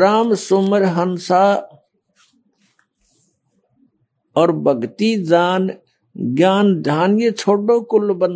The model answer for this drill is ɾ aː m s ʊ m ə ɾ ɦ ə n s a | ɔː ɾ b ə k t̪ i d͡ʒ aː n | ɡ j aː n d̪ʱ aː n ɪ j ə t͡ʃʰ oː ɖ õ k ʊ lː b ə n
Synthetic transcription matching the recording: ɾ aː m s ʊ m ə ɾ ɦ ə n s a | ɔː ɾ b ə ɡ t̪ i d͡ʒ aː n | ɡ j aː n d̪ʱ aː n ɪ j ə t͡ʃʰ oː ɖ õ k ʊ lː b ə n